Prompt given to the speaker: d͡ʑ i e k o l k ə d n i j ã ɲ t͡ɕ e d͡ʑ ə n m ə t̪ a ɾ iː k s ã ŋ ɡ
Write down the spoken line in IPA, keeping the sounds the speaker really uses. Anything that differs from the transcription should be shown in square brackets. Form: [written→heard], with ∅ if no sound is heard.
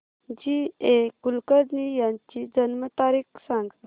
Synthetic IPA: d͡ʑ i e k [o→u] l k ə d n i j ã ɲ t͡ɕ [e→i] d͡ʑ ə n m ə t̪ a ɾ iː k s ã ŋ ɡ